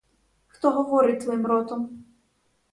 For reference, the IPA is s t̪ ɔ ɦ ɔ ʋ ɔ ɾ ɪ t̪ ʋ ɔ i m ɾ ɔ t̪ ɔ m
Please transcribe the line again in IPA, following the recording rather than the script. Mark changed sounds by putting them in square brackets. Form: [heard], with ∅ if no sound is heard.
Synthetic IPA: [x] t̪ ɔ ɦ ɔ ʋ ɔ ɾ ɪ t̪ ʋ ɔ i m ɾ ɔ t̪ ɔ m